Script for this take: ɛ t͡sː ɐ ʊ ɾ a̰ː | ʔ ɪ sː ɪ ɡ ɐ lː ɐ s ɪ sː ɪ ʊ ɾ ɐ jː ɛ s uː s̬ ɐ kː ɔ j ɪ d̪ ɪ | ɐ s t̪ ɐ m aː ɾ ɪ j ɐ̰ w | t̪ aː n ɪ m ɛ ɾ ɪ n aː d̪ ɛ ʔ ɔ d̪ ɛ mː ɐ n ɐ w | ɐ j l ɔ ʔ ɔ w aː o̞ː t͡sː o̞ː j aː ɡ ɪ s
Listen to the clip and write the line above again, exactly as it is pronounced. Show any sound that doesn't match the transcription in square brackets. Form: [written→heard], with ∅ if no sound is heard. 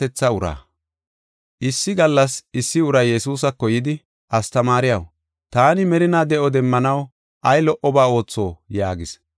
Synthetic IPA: ɛ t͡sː ɐ ʊ ɾ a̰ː | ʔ ɪ sː ɪ ɡ ɐ lː ɐ s ɪ sː ɪ ʊ ɾ ɐ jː ɛ s uː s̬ ɐ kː ɔ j ɪ d̪ ɪ | ɐ s t̪ ɐ m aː ɾ ɪ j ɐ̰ w | t̪ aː n ɪ m ɛ ɾ ɪ n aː d̪ ɛ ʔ ɔ d̪ ɛ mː ɐ n ɐ w | ɐ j l ɔ ʔ ɔ [w→b] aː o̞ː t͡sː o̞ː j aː ɡ ɪ s